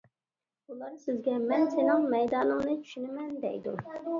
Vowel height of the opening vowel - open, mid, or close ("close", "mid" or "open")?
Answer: close